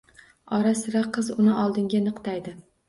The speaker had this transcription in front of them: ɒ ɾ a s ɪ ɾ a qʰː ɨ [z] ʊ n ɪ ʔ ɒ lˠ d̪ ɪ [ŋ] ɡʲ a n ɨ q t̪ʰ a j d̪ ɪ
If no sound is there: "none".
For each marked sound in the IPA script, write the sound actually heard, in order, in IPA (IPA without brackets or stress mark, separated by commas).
z, ŋ